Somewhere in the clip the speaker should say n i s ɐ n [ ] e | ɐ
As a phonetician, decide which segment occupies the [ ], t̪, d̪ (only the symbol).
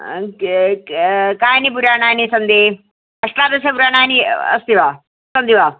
d̪